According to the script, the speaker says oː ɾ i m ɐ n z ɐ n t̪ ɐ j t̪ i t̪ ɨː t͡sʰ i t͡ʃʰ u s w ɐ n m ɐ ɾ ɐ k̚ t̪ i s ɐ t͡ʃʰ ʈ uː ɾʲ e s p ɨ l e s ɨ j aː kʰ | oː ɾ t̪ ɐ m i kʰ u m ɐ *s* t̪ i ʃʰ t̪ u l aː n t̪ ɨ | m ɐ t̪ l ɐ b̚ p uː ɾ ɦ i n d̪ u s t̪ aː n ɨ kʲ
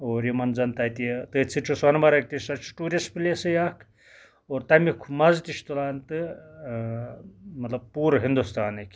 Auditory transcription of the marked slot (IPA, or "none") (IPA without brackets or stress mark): z